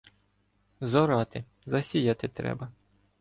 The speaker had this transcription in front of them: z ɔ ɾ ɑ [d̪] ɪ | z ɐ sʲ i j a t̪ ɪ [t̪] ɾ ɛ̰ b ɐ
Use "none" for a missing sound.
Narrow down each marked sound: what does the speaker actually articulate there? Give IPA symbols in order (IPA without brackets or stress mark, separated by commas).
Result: t̪, t̪